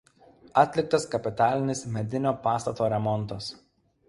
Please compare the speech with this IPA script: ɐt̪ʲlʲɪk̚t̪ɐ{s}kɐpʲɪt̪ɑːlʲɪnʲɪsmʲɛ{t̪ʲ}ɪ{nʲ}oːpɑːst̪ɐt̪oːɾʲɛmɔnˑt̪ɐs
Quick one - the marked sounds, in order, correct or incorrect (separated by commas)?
correct, incorrect, correct